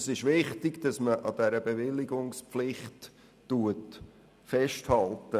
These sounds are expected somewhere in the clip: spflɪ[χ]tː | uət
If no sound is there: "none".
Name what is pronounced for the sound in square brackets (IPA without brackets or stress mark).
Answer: χ